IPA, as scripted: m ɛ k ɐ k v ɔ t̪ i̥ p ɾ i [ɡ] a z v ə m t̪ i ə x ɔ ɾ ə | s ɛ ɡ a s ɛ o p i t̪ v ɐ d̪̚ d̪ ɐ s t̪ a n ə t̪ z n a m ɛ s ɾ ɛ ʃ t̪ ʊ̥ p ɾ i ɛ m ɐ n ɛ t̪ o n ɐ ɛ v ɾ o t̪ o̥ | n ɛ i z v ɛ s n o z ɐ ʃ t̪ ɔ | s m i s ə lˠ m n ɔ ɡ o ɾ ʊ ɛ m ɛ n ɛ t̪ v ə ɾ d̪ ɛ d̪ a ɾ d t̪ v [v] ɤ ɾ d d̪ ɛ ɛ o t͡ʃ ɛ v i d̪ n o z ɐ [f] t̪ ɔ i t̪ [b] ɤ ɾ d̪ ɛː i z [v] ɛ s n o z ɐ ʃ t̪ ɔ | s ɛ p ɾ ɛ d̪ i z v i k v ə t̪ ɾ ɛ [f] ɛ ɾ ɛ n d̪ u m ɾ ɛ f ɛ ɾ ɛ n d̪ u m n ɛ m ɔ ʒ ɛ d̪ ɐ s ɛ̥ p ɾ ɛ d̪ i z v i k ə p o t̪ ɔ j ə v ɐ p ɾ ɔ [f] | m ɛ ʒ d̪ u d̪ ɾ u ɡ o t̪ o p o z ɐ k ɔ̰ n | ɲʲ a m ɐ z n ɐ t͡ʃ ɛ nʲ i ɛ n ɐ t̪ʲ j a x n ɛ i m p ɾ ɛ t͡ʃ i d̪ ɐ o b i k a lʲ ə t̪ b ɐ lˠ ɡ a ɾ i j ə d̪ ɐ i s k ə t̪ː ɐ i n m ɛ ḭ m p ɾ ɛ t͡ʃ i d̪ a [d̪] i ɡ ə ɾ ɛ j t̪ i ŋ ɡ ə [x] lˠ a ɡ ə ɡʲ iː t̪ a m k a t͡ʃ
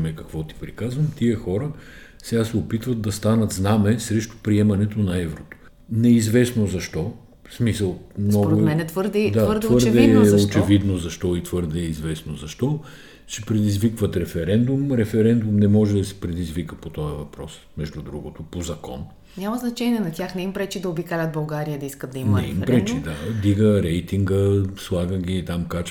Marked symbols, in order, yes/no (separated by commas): no, yes, no, no, yes, yes, no, yes, no